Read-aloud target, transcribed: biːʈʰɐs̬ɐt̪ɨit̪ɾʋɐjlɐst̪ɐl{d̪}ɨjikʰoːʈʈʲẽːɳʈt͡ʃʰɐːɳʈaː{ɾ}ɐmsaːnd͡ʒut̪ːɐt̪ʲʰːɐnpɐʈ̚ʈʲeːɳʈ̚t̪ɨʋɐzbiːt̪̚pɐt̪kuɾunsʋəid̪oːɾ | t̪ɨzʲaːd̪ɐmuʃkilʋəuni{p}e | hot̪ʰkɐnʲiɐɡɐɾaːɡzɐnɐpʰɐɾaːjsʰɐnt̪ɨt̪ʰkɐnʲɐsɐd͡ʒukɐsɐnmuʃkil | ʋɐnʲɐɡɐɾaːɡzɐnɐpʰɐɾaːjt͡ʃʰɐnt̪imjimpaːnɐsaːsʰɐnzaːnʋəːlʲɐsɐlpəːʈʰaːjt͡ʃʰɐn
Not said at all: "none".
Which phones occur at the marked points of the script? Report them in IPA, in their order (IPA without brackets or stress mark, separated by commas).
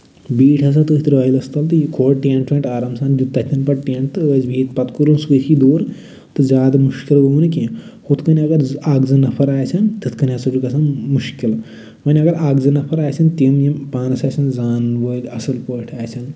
t̪, ɾ, k